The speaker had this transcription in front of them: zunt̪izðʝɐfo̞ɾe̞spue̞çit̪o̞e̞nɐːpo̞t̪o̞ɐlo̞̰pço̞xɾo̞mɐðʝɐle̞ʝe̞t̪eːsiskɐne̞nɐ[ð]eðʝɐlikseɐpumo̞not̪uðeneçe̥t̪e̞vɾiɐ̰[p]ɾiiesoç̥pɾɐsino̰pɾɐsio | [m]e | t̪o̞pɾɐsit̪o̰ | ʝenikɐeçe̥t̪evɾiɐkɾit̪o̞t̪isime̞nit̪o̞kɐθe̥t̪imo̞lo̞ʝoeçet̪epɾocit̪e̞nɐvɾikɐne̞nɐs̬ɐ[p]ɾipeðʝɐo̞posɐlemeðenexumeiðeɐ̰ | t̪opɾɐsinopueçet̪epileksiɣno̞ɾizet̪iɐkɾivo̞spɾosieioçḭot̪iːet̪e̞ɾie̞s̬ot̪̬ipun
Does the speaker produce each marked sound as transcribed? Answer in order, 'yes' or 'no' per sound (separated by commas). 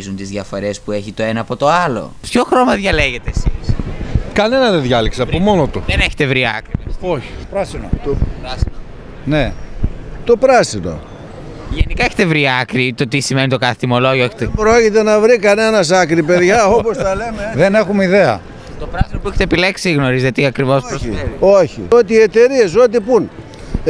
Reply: yes, no, no, no